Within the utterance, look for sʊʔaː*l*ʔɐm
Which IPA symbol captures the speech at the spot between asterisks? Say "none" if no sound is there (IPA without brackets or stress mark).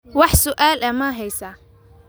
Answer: l